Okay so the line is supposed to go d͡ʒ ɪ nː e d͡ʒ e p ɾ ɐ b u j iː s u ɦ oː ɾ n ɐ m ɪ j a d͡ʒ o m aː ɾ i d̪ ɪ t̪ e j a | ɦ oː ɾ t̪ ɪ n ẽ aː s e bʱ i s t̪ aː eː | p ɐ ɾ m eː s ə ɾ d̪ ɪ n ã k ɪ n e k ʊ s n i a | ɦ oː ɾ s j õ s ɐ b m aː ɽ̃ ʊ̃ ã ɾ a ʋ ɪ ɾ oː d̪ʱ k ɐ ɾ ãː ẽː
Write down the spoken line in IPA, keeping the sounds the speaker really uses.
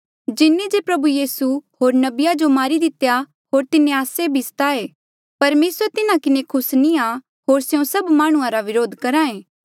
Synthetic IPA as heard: d͡ʒ ɪ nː e d͡ʒ e p ɾ ɐ b u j iː s u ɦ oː ɾ n ɐ b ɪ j a d͡ʒ o m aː ɾ i d̪ ɪ t̪ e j a | ɦ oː ɾ t̪ ɪ n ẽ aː s e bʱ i s t̪ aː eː | p ɐ ɾ m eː s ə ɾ t̪ ɪ n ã k ɪ n e kʰ ʊ s n i a | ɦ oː ɾ s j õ s ɐ b m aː ɽ̃ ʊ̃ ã ɾ a ʋ ɪ ɾ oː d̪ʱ k ɐ ɾ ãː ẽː